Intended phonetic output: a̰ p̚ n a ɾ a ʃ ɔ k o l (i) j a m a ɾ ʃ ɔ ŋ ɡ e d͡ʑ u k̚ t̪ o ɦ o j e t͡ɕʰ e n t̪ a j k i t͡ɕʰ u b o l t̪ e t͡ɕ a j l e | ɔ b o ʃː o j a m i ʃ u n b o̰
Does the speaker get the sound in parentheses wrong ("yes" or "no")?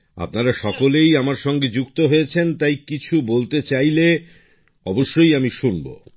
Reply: yes